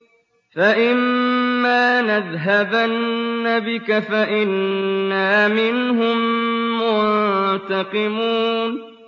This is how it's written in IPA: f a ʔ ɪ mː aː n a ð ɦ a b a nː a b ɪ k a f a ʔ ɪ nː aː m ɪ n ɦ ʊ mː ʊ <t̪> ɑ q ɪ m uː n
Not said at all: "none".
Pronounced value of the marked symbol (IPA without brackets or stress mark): t̪